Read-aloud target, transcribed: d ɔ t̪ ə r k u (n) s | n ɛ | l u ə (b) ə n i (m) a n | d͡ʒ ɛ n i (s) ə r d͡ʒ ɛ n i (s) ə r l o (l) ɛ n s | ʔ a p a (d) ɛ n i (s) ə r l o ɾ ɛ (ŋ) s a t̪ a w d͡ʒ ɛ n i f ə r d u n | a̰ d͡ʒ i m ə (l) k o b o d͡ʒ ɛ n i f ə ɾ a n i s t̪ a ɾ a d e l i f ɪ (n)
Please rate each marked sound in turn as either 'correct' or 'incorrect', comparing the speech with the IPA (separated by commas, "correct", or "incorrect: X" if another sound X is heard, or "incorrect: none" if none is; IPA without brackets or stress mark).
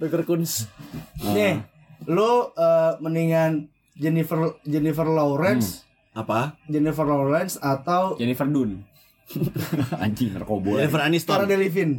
correct, incorrect: m, incorrect: ŋ, incorrect: f, incorrect: f, incorrect: ɾ, incorrect: d͡ʒ, incorrect: f, incorrect: n, incorrect: r, correct